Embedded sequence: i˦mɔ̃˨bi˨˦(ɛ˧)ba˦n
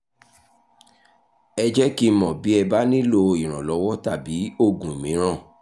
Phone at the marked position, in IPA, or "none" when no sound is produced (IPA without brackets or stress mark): ɛ˧